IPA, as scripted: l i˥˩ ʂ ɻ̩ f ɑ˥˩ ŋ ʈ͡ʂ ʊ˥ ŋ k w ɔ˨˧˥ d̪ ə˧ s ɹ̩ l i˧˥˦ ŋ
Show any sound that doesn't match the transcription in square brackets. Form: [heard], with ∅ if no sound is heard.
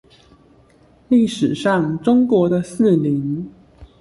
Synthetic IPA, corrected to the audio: l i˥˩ ʂ ɻ̩ [ʂ] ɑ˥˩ ŋ ʈ͡ʂ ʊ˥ ŋ k w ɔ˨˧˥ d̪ ə˧ s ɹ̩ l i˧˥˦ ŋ